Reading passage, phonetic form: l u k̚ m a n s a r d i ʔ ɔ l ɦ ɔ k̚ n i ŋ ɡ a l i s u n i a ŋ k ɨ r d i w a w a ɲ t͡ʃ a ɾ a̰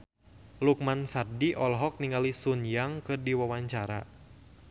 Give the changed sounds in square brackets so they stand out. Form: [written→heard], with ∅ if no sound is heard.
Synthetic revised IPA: l u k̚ m a n s a r d i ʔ ɔ l ɦ ɔ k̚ n i ŋ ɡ a l i s u n [i→j] a ŋ k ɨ r d i w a w a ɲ t͡ʃ a ɾ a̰